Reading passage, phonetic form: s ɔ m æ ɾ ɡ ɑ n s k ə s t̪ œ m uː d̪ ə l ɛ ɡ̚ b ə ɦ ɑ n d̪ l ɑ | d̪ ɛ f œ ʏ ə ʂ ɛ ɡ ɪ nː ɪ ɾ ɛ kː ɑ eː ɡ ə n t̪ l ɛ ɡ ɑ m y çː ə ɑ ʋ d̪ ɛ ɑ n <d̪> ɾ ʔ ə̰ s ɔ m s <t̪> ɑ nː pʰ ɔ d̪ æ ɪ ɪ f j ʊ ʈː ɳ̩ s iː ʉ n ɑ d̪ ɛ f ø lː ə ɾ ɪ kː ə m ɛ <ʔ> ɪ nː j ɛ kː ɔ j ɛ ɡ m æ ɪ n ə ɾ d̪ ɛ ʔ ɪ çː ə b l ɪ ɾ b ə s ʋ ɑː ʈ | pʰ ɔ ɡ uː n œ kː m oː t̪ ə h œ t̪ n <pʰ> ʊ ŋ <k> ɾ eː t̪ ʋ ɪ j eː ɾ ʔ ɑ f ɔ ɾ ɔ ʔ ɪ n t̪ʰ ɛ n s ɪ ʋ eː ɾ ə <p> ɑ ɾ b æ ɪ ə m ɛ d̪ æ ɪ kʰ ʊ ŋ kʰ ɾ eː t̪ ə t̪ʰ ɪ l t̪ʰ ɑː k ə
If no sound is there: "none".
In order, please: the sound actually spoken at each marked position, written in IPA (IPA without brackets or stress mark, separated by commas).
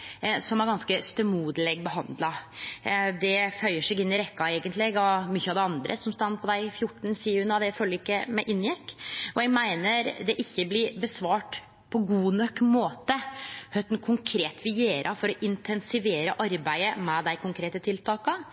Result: d̪, t̪, ʔ, kʰ, kʰ, ʔ